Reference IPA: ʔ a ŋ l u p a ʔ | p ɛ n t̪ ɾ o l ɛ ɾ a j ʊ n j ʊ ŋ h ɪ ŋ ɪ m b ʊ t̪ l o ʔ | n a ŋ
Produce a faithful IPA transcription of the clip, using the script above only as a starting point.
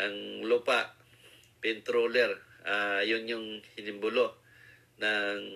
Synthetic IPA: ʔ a ŋ l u p a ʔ | p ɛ n t̪ ɾ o l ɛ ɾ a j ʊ n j ʊ ŋ h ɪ n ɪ m b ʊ l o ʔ | n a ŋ